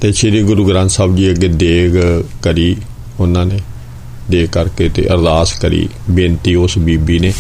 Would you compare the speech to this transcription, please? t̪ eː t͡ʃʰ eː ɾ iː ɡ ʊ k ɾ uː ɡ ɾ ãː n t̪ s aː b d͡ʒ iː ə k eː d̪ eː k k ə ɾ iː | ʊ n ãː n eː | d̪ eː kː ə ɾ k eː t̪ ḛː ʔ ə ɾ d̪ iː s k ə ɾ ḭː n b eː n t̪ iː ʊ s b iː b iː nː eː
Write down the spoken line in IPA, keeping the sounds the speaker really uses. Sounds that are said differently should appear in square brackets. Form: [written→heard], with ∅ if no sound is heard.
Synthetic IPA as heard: t̪ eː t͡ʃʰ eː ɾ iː ɡ ʊ [k→∅] ɾ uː ɡ ɾ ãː n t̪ s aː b d͡ʒ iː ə [k→ɡ] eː d̪ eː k k ə ɾ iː | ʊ n ãː n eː | d̪ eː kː ə ɾ k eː t̪ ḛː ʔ ə ɾ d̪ [iː→aː] s k ə ɾ ḭː [n→∅] b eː n t̪ iː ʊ s b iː b iː [nː→n] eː